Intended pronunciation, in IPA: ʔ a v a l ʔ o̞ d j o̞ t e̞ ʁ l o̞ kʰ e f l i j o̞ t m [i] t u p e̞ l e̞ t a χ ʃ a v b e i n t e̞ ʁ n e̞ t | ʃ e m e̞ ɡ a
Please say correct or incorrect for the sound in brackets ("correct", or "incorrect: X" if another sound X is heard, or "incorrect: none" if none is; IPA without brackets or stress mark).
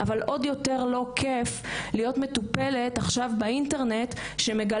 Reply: incorrect: e